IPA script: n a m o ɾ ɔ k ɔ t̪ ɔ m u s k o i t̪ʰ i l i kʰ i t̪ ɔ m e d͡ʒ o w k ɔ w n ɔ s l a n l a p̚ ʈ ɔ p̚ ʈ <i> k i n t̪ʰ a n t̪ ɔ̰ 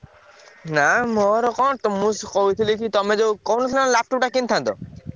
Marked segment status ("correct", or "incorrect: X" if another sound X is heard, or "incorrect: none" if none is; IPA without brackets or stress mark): incorrect: a